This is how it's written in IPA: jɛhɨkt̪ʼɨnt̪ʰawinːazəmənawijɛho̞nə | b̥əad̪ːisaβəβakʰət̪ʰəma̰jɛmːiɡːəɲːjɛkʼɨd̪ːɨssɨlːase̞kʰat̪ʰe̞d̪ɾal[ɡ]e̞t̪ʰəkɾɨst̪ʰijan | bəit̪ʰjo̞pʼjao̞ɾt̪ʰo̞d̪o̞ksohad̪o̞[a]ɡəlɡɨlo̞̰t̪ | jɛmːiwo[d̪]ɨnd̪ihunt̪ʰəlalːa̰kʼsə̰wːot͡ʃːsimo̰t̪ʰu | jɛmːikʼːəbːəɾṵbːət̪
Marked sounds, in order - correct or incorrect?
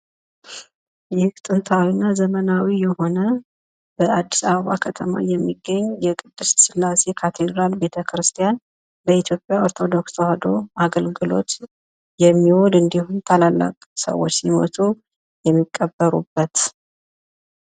incorrect, correct, correct

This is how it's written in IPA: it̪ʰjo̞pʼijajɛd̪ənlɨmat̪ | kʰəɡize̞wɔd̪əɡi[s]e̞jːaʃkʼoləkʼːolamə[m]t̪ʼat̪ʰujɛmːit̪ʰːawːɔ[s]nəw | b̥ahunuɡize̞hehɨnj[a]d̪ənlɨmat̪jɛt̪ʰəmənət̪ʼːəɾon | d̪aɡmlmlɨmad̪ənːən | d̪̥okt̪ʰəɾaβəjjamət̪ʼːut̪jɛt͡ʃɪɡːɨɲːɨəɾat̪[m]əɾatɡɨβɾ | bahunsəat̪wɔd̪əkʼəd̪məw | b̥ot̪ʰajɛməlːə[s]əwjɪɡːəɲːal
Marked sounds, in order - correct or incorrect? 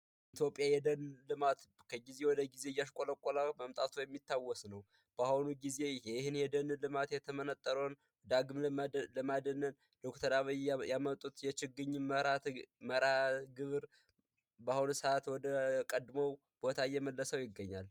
incorrect, correct, correct, incorrect, correct, correct

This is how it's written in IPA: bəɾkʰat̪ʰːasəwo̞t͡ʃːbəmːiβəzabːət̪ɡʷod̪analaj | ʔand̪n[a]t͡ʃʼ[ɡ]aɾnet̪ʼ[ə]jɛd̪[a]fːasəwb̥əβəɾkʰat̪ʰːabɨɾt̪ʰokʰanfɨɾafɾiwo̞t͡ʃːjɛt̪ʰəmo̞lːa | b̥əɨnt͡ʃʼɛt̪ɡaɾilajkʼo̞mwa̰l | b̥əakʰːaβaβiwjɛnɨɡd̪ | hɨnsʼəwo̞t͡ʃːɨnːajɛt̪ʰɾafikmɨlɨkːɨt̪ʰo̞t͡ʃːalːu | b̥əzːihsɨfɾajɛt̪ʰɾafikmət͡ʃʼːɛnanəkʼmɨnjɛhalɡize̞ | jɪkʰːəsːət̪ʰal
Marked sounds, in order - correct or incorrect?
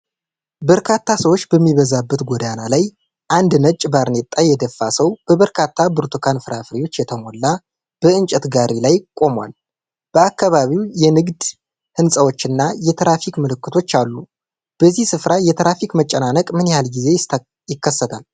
incorrect, incorrect, incorrect, incorrect

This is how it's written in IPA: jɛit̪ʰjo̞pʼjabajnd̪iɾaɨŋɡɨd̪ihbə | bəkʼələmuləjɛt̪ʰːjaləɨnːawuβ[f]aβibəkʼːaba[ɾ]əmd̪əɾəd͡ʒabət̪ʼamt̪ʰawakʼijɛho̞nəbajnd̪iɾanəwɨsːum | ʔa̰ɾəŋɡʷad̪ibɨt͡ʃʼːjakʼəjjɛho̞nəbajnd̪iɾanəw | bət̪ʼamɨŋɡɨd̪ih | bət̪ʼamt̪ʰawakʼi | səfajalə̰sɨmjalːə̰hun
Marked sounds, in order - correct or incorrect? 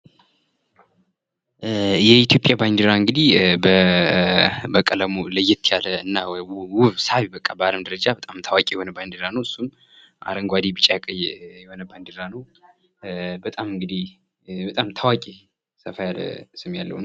incorrect, incorrect

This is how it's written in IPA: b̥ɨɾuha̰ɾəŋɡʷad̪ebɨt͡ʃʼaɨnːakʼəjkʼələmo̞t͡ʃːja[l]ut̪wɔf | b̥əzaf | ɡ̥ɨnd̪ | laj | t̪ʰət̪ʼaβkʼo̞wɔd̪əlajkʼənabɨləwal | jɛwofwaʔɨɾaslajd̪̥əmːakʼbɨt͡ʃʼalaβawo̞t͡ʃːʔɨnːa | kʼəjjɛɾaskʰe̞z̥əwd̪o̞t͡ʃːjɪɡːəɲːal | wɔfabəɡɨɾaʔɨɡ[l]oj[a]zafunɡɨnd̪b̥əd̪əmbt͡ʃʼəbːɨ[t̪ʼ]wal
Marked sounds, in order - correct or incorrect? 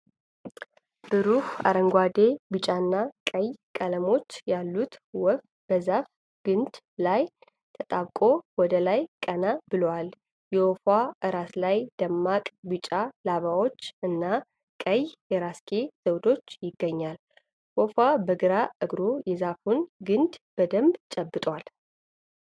incorrect, incorrect, incorrect, correct

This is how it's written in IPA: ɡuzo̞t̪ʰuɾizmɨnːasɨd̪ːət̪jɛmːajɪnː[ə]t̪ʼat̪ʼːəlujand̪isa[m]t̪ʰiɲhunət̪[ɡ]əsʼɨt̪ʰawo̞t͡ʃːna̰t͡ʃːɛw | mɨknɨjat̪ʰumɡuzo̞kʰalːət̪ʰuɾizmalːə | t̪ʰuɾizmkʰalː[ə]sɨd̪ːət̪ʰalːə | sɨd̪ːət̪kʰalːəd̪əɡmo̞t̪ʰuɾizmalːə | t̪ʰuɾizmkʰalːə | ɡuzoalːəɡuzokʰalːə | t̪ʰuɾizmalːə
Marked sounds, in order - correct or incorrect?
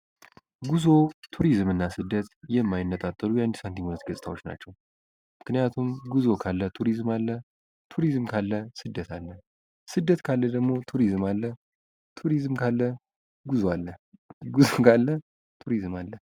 correct, incorrect, correct, correct

